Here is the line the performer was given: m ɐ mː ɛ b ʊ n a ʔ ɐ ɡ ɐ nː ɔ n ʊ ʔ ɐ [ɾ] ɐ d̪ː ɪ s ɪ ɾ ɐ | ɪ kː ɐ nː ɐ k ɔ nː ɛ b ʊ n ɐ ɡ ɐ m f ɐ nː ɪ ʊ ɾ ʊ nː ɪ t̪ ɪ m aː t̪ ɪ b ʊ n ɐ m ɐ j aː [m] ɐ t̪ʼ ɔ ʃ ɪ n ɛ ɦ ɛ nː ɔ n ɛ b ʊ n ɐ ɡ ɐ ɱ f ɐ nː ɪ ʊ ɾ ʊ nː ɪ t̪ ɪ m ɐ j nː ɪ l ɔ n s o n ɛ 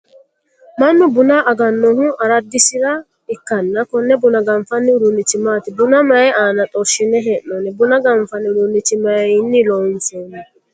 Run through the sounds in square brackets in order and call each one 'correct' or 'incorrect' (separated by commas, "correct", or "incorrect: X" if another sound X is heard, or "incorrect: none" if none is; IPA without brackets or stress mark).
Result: correct, incorrect: n